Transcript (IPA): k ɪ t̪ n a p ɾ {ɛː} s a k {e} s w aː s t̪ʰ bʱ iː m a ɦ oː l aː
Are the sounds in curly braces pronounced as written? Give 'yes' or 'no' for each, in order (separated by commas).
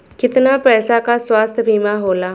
yes, no